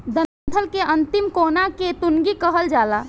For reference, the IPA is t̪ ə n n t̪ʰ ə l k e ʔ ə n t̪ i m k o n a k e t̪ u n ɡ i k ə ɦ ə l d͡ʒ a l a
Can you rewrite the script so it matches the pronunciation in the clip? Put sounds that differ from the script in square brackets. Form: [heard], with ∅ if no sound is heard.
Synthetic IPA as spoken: [d̪] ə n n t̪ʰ ə l k e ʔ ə n t̪ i m k o n a k e t̪ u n ɡ i k ə ɦ ə l d͡ʒ a l a

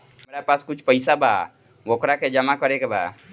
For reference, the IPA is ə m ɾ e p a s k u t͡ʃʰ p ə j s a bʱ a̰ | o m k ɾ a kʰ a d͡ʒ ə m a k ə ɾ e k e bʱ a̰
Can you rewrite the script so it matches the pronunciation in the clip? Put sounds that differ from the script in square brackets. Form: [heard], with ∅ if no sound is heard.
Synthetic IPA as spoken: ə m ɾ [a] p a s k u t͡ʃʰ p ə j s a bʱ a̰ | o [∅] k ɾ a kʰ [e] d͡ʒ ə m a k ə ɾ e k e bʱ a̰

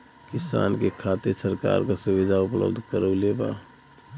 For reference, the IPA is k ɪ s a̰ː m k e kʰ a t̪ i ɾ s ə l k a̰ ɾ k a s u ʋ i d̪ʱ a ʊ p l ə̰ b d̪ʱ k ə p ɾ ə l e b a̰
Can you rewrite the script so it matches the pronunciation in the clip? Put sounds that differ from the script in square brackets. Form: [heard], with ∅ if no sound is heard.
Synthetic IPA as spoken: k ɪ s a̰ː [n] k e kʰ a t̪ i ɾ s ə [ɾ] k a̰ ɾ k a s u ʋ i d̪ʱ a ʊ p l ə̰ b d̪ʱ k ə [∅] ɾ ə l e b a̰

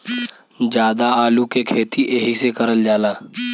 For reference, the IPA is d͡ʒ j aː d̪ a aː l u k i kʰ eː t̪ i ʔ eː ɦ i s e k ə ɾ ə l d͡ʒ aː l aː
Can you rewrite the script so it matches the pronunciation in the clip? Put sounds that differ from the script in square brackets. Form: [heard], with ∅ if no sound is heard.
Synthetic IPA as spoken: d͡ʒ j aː d̪ a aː l u k [e] kʰ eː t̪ i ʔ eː ɦ i s e k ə ɾ ə l d͡ʒ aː l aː

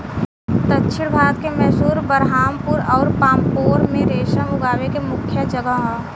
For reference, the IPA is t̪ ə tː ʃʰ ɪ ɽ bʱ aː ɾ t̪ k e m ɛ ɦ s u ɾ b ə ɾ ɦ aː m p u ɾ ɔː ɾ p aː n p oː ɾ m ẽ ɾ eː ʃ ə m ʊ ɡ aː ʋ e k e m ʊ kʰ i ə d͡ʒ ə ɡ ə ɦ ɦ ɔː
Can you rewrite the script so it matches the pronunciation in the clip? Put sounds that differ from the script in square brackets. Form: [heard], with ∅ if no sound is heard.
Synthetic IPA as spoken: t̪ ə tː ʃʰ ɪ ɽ bʱ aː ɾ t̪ k e m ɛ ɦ s [uː] ɾ b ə ɾ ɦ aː m p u ɾ ɔː ɾ p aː [m] p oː ɾ m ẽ ɾ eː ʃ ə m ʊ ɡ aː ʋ e k e m ʊ kʰ [j] ə d͡ʒ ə ɡ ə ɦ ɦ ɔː

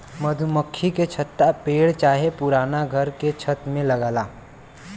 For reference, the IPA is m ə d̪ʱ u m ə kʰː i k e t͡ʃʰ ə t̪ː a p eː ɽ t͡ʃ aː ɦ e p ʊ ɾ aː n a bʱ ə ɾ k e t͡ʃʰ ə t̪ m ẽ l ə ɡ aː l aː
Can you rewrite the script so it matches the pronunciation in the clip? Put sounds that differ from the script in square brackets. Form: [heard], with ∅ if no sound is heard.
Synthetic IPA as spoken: m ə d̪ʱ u m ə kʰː i k e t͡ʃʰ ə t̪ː a p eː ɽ t͡ʃ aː ɦ e p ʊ ɾ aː n a [ɡʱ] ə ɾ k e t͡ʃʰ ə t̪ m ẽ l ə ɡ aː l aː

